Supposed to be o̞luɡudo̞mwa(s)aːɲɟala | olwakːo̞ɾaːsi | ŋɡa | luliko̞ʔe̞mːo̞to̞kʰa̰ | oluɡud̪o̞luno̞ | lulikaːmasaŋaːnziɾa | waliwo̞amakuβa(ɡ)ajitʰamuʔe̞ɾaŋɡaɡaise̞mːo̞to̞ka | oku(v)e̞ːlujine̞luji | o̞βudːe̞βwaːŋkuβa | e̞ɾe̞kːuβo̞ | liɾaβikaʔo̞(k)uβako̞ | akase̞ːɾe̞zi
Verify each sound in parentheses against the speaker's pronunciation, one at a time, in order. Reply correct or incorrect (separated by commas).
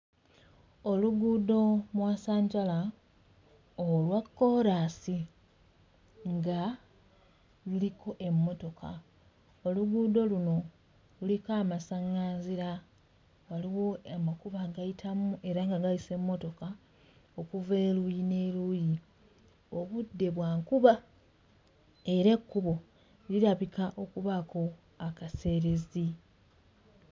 correct, correct, correct, correct